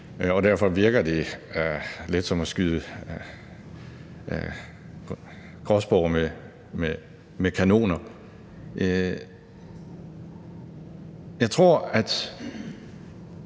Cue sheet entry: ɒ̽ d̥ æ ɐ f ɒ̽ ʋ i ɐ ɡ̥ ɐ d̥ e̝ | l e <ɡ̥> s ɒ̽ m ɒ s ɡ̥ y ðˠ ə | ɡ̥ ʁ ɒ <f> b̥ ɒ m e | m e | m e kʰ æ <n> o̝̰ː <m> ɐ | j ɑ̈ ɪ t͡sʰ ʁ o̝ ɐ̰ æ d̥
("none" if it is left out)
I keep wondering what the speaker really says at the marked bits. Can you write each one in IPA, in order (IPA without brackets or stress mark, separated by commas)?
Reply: d̥, s, n, n